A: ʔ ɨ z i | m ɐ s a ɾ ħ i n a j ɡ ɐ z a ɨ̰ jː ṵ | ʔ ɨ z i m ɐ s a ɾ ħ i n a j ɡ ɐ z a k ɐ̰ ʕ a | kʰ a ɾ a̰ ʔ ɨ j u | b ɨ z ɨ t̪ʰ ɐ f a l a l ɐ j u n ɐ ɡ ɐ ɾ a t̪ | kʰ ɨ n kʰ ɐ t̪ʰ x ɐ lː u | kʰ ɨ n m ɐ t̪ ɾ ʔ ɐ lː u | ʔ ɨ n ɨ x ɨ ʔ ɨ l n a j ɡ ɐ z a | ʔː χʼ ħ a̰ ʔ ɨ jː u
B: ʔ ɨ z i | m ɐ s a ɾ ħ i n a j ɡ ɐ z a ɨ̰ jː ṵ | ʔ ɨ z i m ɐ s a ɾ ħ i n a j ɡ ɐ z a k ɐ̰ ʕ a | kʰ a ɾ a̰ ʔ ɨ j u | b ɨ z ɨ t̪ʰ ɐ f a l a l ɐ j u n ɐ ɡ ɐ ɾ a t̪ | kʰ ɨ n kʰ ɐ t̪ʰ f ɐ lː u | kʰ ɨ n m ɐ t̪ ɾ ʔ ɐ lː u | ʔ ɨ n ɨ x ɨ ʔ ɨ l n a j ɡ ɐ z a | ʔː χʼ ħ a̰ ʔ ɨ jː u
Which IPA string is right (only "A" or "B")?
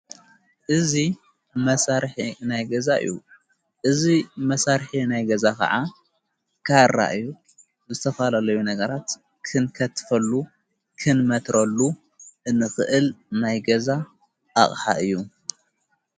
B